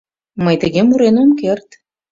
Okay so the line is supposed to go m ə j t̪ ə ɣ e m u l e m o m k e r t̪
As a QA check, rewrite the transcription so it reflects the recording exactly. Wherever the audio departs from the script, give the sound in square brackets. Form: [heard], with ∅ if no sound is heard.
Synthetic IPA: m ə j t̪ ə ɣ e m u [ɾ] e [n] o m k e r t̪